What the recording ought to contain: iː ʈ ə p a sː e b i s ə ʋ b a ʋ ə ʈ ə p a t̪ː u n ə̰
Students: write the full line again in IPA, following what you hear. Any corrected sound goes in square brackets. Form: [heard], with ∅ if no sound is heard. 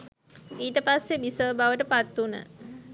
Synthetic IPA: iː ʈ ə p a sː e b i s ə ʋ b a ʋ ə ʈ ə p a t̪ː u n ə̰